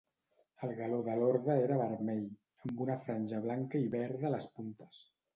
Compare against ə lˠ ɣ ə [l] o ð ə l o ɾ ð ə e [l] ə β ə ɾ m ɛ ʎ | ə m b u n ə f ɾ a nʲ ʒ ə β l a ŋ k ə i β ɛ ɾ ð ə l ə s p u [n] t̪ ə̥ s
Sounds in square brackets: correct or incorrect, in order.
correct, incorrect, correct

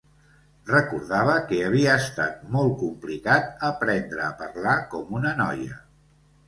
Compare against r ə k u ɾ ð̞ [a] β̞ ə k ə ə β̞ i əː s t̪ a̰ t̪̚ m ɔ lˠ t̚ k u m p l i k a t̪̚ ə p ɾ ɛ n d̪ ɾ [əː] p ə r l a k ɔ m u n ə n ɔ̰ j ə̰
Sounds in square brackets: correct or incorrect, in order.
correct, correct

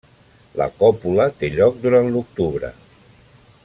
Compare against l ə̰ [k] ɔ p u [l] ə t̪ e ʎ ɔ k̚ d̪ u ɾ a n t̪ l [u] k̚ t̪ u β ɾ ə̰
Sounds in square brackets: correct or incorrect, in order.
correct, correct, correct

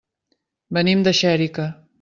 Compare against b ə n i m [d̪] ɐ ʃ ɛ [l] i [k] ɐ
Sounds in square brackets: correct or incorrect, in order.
correct, incorrect, correct

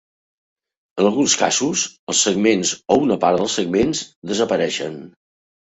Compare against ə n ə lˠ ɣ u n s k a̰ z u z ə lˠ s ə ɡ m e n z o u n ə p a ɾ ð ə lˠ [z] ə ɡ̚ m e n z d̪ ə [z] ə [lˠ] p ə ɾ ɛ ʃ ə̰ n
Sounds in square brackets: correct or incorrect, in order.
incorrect, correct, incorrect

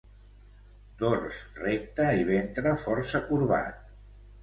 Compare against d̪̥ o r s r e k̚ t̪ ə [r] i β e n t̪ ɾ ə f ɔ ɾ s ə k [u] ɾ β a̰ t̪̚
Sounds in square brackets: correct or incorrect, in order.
incorrect, correct

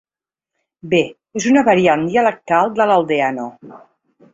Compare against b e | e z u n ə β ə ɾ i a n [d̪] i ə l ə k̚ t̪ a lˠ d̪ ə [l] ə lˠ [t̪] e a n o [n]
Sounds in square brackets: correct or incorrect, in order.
correct, correct, incorrect, incorrect

